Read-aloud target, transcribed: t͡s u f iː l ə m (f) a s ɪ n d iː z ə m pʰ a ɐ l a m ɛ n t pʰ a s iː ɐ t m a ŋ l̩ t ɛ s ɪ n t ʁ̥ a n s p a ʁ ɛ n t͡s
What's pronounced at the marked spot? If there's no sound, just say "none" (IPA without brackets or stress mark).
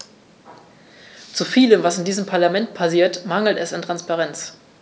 v